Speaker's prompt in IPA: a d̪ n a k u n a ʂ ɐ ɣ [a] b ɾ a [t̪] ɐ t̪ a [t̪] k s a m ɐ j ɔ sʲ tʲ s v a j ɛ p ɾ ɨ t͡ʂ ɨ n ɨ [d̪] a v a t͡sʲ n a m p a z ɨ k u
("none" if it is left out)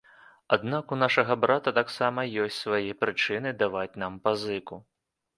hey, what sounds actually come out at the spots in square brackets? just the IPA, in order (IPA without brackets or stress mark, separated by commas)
ɐ, t̪, none, d̪